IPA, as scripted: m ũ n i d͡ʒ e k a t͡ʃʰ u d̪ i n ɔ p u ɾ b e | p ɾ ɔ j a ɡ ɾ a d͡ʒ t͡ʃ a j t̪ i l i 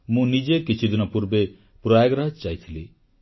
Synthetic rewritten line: m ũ n i d͡ʒ e k i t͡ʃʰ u d̪ i n ɔ p u ɾ b e | p ɾ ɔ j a ɡ ɾ a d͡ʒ t͡ʃ a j t̪ʰ i l i